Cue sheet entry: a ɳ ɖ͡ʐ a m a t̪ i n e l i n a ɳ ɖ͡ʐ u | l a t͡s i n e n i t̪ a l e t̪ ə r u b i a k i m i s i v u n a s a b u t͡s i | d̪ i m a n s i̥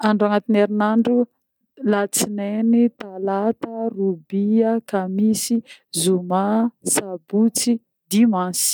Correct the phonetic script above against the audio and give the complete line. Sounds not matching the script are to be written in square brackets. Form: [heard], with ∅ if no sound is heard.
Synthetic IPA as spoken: a ɳ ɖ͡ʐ a [ŋ] a t̪ i n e [ɾ] i n a ɳ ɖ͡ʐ u | l a t͡s i n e n i t̪ a l [a] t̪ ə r u b i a k [a] m i s i [z] u [m] a s a b u t͡s i | d̪ i m a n s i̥